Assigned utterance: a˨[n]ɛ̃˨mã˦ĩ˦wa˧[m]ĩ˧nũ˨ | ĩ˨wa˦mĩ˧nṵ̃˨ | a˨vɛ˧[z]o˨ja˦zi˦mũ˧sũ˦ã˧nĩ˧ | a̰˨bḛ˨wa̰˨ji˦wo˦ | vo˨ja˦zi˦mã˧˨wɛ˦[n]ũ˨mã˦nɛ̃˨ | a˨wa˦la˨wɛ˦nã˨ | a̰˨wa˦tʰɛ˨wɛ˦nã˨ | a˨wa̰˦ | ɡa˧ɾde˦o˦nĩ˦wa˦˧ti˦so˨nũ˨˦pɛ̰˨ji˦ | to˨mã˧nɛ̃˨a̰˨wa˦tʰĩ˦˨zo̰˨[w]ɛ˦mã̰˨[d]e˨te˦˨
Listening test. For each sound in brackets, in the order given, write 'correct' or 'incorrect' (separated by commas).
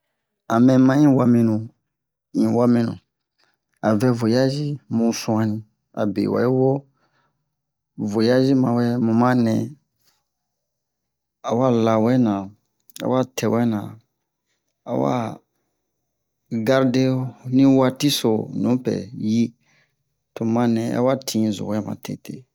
incorrect, correct, incorrect, incorrect, correct, incorrect